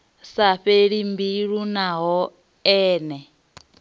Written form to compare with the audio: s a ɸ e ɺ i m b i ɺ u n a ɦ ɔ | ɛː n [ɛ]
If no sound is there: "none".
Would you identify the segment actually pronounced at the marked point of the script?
ɛ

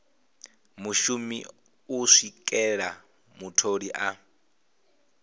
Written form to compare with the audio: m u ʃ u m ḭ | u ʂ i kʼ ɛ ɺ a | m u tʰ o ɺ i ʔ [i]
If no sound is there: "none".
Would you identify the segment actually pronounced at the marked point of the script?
a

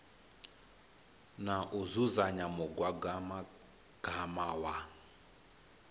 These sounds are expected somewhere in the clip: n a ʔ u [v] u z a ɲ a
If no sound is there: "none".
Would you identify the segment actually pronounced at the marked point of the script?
z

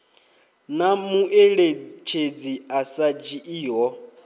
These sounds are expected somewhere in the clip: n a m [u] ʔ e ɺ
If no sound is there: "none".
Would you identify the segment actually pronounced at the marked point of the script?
u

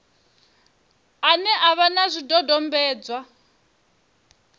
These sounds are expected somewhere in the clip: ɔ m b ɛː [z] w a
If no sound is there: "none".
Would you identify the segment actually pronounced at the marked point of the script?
d͡z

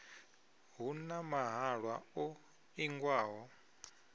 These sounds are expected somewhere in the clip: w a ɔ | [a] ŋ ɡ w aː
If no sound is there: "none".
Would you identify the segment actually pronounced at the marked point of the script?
i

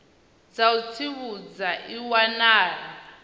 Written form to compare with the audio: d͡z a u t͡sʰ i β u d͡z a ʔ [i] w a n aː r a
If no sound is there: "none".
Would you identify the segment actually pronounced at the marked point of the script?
i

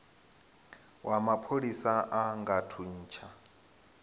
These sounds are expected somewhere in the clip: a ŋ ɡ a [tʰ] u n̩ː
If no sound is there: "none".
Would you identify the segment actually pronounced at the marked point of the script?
tʰ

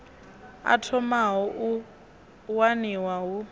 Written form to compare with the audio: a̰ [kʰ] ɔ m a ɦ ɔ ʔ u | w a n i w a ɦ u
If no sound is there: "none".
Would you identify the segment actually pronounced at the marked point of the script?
tʰ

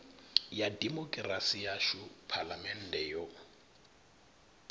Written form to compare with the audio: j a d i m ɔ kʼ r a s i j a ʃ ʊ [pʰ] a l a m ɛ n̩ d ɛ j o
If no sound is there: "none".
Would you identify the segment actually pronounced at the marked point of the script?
pʰ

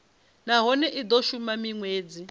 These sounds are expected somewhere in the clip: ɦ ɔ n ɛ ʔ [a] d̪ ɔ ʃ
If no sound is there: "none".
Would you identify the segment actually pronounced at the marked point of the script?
i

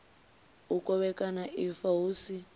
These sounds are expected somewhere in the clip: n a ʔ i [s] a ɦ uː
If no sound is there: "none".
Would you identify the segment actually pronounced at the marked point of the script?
f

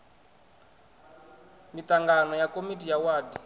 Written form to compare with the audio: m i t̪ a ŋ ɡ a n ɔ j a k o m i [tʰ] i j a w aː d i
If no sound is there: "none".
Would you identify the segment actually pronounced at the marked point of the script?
t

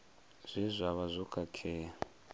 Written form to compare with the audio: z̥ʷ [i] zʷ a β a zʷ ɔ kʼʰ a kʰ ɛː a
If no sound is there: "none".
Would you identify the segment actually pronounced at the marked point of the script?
i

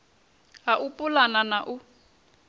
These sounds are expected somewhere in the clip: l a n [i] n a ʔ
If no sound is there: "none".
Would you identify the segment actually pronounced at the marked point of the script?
a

